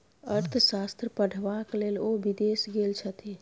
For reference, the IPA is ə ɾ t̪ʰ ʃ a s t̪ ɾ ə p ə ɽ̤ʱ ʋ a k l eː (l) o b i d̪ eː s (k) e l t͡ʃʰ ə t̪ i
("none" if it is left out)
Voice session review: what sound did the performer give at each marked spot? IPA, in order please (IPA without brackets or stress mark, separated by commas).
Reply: l, ɡ